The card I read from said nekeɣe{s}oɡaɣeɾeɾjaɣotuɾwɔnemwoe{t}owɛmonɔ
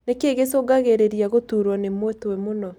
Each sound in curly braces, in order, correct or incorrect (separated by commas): correct, correct